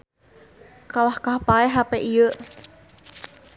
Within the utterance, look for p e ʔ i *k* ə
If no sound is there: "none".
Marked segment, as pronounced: none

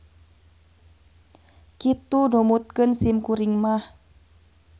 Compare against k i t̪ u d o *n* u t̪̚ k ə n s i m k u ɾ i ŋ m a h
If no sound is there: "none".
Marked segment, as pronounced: m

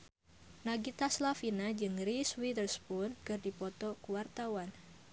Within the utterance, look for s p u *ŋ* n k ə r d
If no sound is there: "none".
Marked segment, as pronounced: none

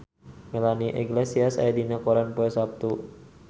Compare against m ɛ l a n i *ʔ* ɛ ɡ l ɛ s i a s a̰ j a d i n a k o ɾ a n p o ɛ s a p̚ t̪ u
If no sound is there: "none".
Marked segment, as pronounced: ʔ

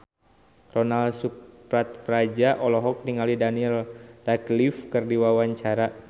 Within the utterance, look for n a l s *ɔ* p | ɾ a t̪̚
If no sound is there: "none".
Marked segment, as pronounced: u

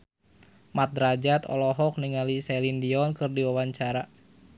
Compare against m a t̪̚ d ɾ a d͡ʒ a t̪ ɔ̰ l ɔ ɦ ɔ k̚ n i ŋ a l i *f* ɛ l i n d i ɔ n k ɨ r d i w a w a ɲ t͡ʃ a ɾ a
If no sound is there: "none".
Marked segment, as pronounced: s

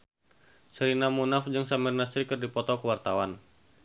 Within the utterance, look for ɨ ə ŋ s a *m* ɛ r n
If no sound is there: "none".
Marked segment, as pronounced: m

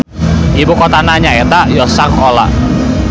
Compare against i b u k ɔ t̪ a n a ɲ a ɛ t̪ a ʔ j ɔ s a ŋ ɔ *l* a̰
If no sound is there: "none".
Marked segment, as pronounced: l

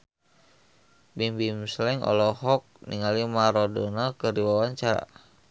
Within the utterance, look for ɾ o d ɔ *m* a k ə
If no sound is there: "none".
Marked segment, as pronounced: n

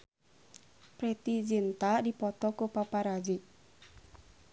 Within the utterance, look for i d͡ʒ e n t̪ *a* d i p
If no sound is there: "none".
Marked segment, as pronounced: a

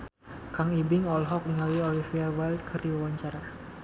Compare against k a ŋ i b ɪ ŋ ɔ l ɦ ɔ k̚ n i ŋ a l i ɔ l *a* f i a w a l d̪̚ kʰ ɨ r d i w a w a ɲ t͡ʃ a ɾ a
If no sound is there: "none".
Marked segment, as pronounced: i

